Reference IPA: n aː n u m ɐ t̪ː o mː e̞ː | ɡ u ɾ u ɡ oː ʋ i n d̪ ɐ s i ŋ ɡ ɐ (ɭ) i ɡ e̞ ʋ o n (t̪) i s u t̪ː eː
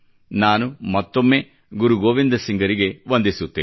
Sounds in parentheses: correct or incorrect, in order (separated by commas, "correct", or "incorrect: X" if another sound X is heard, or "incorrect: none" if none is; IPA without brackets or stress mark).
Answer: incorrect: ɾ, incorrect: d̪